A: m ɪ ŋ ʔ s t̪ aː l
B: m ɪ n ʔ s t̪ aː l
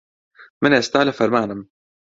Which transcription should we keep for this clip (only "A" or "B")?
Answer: B